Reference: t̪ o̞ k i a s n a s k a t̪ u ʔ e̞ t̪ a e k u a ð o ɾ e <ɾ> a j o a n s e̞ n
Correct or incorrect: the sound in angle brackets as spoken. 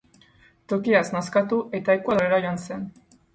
correct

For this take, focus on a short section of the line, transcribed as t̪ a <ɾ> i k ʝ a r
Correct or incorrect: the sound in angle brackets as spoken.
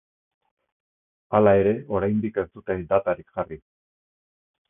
correct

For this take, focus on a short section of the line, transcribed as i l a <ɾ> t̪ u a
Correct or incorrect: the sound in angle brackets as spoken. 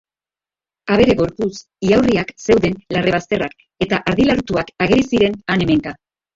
correct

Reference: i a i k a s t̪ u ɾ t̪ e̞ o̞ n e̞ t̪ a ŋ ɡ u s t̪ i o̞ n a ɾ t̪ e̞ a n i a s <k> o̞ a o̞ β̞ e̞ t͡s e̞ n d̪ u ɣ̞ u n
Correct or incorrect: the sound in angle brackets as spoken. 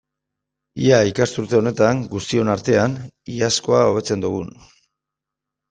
correct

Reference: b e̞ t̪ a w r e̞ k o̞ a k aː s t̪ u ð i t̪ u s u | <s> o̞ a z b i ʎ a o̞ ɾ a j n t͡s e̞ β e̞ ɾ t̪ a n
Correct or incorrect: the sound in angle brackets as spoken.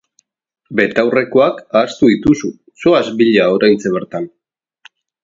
correct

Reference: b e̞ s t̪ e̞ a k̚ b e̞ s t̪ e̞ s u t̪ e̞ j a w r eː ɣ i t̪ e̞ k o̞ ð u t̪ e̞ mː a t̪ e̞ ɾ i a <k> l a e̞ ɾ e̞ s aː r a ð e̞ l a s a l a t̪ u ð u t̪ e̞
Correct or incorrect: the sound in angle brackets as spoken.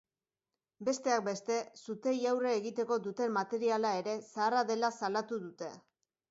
incorrect: none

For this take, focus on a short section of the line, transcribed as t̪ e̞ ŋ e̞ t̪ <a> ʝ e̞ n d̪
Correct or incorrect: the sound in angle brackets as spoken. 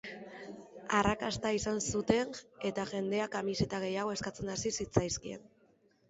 correct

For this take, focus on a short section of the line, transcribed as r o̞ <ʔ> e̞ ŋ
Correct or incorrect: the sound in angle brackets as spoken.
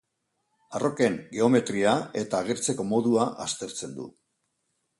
incorrect: k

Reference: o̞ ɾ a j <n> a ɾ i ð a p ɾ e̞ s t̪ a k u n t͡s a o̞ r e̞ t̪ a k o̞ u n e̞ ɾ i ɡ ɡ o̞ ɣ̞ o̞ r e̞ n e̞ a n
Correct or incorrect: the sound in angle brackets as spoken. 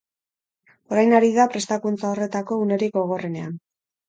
correct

